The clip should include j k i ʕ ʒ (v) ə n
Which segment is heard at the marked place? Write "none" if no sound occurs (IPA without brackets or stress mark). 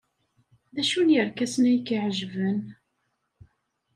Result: v